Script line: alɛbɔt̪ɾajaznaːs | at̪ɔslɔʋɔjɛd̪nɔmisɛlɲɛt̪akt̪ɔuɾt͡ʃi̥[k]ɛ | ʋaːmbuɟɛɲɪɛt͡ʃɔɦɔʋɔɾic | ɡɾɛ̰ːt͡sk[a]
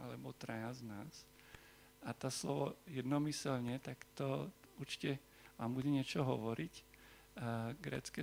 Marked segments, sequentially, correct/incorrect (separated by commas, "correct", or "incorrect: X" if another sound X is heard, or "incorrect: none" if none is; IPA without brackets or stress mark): incorrect: c, incorrect: ɛ